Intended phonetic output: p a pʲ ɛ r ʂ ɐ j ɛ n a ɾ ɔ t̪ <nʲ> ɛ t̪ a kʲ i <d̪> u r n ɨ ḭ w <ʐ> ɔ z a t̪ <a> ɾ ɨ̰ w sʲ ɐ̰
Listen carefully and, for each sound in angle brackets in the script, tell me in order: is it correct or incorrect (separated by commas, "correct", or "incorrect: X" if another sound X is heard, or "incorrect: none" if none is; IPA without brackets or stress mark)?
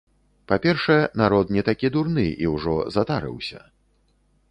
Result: correct, correct, correct, correct